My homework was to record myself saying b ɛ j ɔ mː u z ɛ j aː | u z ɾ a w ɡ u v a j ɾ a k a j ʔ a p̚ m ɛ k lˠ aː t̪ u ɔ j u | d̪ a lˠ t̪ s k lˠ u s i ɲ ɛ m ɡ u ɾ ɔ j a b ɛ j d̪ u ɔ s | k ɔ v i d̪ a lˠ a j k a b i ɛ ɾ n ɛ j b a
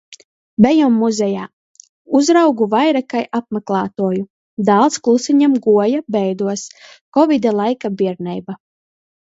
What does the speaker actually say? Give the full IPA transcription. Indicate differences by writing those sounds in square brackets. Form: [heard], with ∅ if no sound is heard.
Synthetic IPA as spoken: b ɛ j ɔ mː u z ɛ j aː | u z ɾ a w ɡ u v a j ɾ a k a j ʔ a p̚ m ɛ k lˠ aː t̪ u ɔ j u | d̪ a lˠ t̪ s k lˠ u s i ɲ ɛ m ɡ u [∅] ɔ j a b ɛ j d̪ u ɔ s | k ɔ v i d̪ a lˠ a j k a b i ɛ ɾ n ɛ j b a